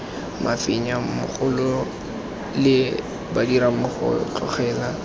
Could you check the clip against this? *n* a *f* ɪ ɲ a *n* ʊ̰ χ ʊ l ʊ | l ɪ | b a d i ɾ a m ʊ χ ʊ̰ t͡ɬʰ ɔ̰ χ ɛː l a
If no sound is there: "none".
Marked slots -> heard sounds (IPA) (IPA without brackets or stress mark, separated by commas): m, f, m